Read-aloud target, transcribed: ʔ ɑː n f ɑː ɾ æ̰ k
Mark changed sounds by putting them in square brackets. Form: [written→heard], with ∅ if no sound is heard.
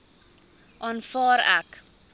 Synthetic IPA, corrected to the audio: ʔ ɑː n f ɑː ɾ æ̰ k